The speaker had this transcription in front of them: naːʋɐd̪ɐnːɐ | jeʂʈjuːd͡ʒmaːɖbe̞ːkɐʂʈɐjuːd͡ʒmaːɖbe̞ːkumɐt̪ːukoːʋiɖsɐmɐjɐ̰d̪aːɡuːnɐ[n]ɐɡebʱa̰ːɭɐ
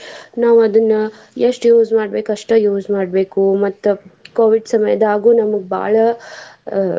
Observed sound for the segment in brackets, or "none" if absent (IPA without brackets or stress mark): m